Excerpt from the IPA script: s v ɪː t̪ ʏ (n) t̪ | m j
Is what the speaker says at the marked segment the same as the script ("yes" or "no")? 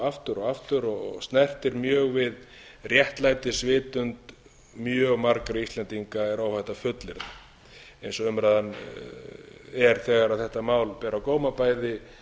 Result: yes